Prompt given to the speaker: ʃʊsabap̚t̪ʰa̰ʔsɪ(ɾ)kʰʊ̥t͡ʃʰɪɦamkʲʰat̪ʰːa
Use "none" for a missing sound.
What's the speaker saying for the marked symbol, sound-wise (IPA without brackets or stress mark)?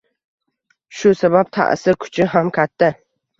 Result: ɾ